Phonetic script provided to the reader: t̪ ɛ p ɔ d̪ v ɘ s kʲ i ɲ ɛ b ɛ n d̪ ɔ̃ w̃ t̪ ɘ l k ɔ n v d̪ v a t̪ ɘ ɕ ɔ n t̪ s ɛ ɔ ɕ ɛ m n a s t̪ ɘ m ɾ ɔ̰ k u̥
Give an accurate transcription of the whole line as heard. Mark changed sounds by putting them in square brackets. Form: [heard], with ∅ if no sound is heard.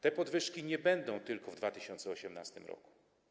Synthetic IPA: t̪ ɛ p ɔ d̪ v ɘ [ʂ] kʲ i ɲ ɛ b ɛ n d̪ ɔ̃ w̃ t̪ ɘ l k ɔ [∅] v d̪ v a t̪ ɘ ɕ ɔ n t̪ s ɛ ɔ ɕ ɛ m n a s t̪ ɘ m ɾ ɔ̰ k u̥